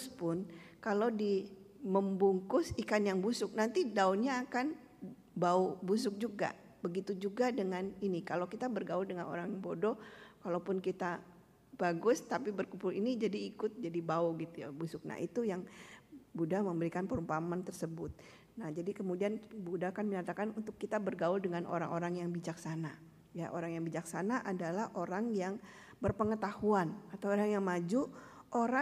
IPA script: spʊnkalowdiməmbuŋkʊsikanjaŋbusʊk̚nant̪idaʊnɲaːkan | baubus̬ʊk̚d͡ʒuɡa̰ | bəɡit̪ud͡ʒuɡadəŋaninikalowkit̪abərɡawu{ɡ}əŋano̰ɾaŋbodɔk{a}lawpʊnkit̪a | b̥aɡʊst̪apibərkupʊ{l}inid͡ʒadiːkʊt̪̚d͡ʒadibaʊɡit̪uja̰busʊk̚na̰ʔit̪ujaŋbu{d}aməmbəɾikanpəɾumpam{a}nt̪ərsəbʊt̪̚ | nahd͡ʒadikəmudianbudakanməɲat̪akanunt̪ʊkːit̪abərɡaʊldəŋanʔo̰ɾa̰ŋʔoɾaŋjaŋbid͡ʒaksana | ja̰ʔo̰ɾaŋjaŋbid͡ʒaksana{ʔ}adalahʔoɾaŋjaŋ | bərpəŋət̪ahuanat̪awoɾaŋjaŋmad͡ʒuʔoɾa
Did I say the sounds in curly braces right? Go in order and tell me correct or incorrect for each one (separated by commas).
incorrect, correct, correct, correct, correct, correct